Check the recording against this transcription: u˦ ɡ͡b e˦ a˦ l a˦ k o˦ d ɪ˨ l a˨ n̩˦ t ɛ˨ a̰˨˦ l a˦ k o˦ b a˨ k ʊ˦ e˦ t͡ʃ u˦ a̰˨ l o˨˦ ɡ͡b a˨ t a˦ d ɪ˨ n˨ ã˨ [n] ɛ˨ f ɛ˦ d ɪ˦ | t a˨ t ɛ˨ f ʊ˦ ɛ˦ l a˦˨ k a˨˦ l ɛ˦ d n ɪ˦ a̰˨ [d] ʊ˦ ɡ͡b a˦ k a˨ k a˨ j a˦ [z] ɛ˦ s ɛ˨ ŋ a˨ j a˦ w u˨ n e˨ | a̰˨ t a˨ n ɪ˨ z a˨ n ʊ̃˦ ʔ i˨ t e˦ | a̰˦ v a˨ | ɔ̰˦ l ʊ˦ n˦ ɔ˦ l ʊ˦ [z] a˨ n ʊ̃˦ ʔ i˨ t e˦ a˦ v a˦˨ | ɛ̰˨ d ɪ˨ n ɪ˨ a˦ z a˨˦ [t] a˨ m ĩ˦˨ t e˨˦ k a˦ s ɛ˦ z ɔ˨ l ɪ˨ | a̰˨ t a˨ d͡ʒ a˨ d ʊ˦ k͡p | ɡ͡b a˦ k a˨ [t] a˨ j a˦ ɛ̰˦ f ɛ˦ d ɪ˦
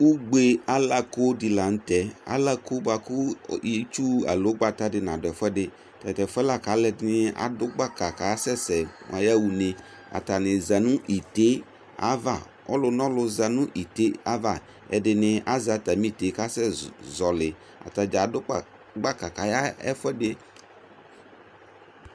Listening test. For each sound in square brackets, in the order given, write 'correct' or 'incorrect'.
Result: incorrect: d, correct, incorrect: s, correct, correct, incorrect: k

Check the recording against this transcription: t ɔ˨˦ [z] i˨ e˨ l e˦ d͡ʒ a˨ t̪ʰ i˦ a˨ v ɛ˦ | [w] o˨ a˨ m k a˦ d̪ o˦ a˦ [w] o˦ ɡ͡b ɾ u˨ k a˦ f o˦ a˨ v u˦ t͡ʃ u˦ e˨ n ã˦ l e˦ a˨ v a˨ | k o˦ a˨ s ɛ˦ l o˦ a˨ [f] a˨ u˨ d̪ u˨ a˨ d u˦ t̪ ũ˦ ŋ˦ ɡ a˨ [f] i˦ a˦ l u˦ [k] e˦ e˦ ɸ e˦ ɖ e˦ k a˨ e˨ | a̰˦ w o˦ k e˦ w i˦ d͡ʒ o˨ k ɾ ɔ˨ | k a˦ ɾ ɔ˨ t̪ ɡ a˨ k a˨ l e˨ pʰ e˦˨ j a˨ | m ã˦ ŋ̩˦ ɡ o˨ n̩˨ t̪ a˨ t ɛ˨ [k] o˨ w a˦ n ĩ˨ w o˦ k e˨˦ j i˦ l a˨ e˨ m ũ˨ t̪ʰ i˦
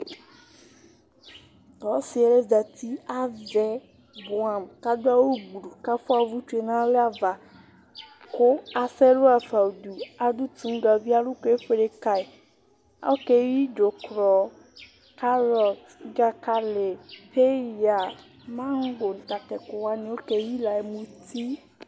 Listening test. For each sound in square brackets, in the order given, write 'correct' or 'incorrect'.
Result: incorrect: s, incorrect: b, correct, correct, incorrect: v, correct, correct

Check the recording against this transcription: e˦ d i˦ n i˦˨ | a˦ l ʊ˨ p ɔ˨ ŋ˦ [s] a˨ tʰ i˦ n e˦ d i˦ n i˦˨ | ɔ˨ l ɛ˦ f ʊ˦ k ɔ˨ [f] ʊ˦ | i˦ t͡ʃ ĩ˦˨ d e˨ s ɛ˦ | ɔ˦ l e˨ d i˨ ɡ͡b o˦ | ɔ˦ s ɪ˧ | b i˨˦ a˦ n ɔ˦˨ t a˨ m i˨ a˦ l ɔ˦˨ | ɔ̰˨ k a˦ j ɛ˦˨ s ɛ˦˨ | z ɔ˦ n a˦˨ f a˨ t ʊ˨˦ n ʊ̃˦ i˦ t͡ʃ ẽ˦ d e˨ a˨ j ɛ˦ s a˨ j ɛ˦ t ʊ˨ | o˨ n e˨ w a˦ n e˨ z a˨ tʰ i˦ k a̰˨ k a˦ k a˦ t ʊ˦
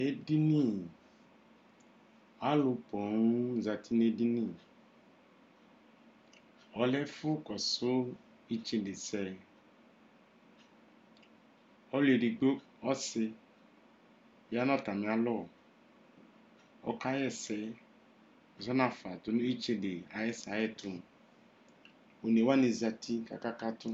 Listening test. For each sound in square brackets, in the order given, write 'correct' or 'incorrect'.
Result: incorrect: z, incorrect: s

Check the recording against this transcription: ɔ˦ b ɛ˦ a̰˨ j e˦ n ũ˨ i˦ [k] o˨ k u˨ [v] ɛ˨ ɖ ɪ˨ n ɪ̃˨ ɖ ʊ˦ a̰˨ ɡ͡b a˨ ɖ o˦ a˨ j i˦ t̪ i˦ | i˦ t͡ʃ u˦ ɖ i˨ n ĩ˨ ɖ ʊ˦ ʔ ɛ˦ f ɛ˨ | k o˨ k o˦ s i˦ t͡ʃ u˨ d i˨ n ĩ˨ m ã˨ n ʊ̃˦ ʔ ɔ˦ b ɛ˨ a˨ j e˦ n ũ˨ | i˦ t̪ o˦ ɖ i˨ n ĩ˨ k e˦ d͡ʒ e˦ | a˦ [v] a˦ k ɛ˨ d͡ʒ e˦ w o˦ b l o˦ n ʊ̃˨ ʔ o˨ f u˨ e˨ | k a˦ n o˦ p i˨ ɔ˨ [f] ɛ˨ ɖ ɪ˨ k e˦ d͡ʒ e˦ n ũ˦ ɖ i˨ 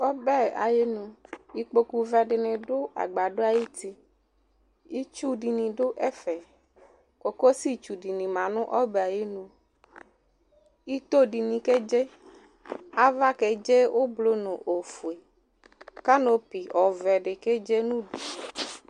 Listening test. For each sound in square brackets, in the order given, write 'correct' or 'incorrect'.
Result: incorrect: k͡p, correct, correct, incorrect: v

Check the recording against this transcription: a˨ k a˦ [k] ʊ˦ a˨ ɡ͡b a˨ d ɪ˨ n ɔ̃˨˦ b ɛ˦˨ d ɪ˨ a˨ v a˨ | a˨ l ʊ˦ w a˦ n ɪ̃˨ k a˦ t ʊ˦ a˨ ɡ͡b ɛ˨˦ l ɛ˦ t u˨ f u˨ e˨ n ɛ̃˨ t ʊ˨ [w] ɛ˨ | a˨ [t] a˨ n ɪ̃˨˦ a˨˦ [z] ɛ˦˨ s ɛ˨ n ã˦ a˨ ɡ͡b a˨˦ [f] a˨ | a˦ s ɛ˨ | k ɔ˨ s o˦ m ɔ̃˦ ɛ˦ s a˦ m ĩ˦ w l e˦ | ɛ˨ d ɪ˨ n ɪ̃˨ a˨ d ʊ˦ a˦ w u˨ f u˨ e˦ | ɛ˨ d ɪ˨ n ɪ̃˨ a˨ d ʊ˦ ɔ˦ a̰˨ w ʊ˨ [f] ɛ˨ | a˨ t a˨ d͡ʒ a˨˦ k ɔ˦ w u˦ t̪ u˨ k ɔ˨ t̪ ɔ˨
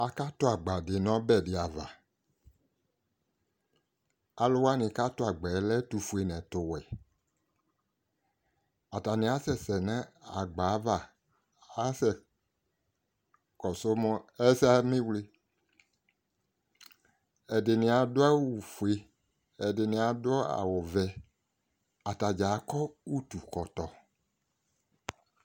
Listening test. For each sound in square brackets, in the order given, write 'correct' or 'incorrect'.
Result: incorrect: t, correct, correct, incorrect: s, incorrect: v, incorrect: v

